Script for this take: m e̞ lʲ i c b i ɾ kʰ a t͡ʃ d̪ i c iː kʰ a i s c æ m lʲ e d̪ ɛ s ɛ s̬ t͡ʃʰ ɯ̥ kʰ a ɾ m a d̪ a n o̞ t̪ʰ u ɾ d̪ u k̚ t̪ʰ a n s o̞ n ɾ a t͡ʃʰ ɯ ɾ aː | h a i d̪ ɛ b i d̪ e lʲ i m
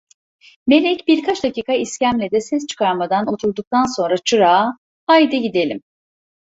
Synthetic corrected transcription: m e̞ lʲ ɛ c b i ɾ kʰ a t͡ʃ d̪ a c iː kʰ a i s c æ m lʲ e d̪ ɛ s ɛ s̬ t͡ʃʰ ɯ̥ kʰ a ɾ m a d̪ a n o̞ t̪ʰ u ɾ d̪ u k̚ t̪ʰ a n s o̞ n ɾ a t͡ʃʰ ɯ ɾ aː | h a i d̪ ɛ ɟ i d̪ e lʲ i m